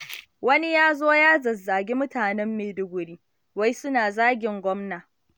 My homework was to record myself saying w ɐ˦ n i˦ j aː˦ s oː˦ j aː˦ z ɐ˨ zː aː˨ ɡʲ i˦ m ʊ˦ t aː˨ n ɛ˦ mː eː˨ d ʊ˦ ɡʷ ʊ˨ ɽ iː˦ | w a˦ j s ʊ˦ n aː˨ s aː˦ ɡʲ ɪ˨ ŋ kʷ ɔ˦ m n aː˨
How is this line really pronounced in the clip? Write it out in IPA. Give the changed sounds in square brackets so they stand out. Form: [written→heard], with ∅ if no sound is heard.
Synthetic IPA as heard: w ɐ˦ n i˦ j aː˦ [s→z] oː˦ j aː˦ z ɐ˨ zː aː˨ ɡʲ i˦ m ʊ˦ t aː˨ n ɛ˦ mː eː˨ d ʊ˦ ɡʷ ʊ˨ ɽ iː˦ | w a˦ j s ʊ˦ n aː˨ [s→z] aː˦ ɡʲ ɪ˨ ŋ [kʷ→ɡʷ] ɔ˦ m n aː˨